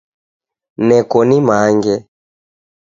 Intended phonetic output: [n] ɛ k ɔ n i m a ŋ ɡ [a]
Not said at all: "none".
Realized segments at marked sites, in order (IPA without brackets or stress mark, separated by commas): n, ɛ